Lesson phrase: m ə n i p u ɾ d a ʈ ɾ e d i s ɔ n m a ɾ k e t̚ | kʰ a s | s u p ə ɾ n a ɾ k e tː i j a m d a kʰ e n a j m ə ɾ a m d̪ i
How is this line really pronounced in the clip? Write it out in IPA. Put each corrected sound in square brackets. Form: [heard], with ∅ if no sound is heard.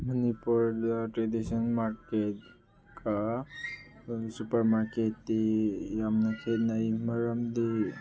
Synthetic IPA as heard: m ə n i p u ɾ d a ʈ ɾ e d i s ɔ n m a ɾ k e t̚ | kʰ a [∅] | s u p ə ɾ [m] a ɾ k e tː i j a m [n] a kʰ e n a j m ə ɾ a m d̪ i